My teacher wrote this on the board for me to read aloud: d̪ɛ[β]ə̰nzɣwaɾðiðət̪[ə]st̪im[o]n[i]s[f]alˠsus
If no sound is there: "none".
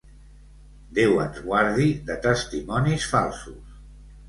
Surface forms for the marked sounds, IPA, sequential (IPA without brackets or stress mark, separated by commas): w, ə, ɔ, i, f